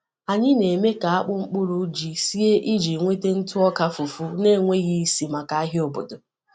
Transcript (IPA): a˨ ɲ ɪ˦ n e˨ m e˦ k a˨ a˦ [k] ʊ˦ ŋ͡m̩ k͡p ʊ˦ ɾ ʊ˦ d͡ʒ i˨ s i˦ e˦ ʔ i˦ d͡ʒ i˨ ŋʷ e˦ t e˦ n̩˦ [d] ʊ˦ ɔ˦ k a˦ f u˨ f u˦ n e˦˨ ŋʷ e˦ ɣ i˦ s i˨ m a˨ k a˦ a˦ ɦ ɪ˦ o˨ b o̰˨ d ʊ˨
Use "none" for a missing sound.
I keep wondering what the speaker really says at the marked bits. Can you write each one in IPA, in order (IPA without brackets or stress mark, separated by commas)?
k͡p, t